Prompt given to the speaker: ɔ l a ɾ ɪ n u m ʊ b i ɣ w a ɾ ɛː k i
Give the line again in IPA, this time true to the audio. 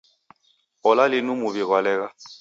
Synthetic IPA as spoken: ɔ l a l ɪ n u m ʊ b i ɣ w a l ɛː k a